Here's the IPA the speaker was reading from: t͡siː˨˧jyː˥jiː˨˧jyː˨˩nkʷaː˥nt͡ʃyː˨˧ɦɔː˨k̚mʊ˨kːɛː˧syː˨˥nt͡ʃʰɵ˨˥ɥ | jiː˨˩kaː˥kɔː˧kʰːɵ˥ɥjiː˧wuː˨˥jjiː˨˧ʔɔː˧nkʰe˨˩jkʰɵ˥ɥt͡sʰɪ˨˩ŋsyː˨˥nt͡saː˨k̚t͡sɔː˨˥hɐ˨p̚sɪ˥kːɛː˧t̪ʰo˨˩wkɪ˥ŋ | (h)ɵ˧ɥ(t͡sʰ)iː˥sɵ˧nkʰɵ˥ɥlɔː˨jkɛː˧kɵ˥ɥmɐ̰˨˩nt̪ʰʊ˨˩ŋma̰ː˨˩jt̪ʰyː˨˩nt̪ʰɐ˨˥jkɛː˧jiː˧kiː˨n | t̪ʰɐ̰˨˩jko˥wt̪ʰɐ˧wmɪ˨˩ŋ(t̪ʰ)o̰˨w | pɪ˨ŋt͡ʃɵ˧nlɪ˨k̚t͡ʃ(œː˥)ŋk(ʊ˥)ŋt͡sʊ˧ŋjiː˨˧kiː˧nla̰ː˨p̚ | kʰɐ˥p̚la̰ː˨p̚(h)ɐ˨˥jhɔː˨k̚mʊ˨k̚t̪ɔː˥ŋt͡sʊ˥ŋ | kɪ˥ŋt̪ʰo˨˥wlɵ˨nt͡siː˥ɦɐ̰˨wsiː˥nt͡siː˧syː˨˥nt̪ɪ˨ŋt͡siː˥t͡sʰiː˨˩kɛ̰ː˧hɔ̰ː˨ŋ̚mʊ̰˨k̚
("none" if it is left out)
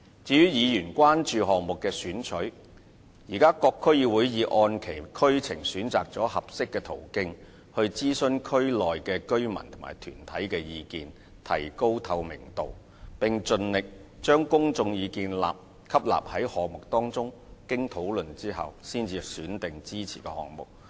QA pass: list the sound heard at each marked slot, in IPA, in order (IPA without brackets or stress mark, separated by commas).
h, t͡s, t̪, œː˥, ʊ˥, h